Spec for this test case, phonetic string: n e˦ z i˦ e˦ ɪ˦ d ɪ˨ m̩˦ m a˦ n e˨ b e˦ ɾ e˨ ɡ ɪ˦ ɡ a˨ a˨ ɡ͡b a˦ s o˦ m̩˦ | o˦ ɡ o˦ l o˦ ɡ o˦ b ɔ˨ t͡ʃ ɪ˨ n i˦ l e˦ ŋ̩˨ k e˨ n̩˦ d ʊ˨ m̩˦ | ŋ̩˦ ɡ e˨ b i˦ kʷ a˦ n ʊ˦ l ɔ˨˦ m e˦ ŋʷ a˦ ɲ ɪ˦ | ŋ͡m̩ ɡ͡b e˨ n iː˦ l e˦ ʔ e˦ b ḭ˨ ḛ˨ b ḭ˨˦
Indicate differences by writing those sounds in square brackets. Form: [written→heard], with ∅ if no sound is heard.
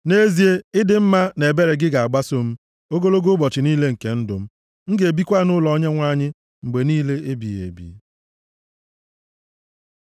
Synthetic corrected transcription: n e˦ z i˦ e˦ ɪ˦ d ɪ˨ m̩˦ m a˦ n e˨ b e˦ ɾ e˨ ɡ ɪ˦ ɡ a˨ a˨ ɡ͡b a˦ s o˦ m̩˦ | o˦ ɡ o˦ l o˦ ɡ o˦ b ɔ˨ t͡ʃ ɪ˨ n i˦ l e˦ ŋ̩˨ k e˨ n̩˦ d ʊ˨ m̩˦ | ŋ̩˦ ɡ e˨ b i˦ kʷ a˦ n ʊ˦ l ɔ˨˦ [m→ɲ] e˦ ŋʷ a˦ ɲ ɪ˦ | ŋ͡m̩ ɡ͡b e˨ n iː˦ l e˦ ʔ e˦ b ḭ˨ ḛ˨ b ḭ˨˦